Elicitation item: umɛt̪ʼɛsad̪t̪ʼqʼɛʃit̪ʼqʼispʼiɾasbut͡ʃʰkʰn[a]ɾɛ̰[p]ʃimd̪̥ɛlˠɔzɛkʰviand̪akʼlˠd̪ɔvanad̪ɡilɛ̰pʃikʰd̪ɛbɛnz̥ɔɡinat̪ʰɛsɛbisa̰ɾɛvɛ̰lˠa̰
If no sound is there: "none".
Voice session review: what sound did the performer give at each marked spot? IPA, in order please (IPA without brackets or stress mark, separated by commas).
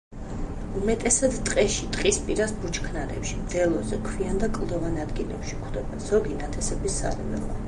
a, p